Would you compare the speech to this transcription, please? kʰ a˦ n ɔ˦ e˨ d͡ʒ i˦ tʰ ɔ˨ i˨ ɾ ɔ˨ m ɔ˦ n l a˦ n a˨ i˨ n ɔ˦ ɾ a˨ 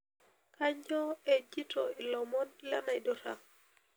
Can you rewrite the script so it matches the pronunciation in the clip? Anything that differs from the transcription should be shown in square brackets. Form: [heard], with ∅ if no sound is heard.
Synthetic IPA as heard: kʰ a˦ [ɲ] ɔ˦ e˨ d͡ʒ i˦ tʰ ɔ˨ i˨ [l] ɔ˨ m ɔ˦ n l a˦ n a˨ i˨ [d] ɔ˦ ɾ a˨